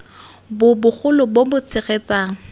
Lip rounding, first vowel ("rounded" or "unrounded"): rounded